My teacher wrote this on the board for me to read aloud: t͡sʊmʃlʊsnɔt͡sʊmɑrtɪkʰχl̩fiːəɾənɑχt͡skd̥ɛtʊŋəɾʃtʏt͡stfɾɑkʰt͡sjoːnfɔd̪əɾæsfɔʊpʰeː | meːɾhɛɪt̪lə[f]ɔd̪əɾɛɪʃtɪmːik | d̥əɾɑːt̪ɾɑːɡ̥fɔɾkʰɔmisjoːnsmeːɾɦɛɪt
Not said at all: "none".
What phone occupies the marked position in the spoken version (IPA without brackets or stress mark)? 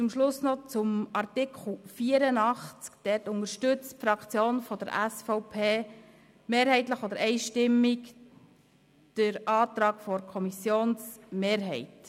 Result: χ